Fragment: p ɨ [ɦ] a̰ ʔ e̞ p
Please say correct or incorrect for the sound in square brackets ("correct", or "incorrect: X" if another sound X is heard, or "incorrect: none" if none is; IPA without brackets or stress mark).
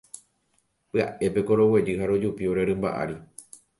incorrect: none